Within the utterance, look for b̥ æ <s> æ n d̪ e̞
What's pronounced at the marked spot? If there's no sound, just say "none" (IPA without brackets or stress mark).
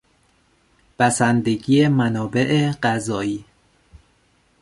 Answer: s